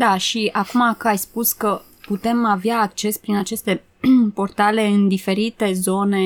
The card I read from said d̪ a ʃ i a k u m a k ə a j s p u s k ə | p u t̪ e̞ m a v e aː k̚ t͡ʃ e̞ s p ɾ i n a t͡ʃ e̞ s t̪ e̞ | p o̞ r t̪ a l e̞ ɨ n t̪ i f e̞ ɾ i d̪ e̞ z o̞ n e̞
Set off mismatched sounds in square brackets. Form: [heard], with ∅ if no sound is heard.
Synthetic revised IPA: d̪ a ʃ i a k u m a k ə a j s p u s k ə | p u t̪ e̞ m a v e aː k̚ t͡ʃ e̞ s p ɾ i n a t͡ʃ e̞ s t̪ e̞ | p o̞ r t̪ a l e̞ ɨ n [d̪] i f e̞ ɾ i [t̪] e̞ z o̞ n e̞